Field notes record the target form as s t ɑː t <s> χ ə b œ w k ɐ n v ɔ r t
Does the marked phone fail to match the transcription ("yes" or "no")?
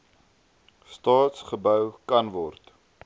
no